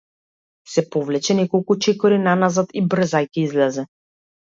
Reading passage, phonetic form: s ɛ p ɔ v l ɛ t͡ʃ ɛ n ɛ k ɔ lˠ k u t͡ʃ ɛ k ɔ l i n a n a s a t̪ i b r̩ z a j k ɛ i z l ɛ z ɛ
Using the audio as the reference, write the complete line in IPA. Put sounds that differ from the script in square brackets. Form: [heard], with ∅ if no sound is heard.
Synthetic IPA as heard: s ɛ p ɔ v l ɛ t͡ʃ ɛ n ɛ k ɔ lˠ k u t͡ʃ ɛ k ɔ [ɾ] i n a n a [z] a t̪ i b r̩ z a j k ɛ i z l ɛ z ɛ